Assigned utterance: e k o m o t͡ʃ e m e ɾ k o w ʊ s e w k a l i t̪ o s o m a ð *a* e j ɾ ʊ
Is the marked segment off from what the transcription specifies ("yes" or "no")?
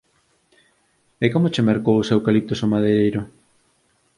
yes